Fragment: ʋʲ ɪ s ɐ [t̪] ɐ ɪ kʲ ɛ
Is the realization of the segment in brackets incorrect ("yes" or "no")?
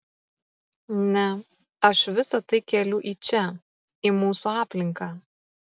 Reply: no